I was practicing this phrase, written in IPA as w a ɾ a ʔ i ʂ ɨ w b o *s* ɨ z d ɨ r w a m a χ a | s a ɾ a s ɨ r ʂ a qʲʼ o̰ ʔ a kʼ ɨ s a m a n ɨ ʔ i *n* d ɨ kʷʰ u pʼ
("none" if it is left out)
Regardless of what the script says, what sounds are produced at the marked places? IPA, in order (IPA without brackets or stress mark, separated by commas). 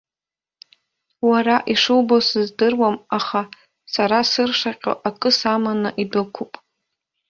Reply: s, none